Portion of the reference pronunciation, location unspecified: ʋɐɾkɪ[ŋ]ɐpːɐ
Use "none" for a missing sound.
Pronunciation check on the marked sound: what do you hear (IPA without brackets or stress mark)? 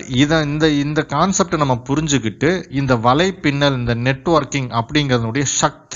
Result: ŋ